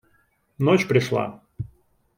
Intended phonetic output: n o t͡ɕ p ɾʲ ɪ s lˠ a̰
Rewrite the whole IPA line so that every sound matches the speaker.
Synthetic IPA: n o t͡ɕ p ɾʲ ɪ ʂ lˠ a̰

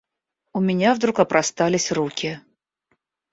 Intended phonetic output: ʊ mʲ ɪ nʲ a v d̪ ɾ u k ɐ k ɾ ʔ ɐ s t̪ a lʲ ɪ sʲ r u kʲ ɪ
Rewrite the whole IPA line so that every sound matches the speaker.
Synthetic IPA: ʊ mʲ ɪ nʲ a v d̪ ɾ u k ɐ p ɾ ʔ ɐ s t̪ a lʲ ɪ sʲ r u kʲ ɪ

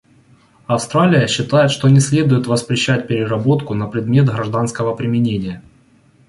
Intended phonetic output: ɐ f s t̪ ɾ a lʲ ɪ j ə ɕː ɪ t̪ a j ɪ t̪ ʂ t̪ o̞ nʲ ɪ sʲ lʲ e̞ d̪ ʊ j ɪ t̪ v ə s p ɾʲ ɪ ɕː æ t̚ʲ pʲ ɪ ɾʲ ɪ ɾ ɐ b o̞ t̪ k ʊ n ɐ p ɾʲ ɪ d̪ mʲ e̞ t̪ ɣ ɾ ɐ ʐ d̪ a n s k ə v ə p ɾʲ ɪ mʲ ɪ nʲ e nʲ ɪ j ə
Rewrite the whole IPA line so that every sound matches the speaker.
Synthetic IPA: ɐ f s t̪ ɾ a lʲ ɪ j ə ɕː ɪ t̪ a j ɪ t̪ ʂ t̪ o̞ nʲ ɪ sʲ lʲ e̞ d̪ ʊ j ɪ t̪ v ə s p ɾʲ ɪ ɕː æ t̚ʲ pʲ ɪ ɾʲ ɪ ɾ ɐ b o̞ t̪ k ʊ n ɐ p ɾʲ ɪ d̪ mʲ e̞ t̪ ɣ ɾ ɐ ʐ d̪ a n s k ə v ə p ɾʲ ɪ mʲ ɪ nʲ e nʲ ɪ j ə

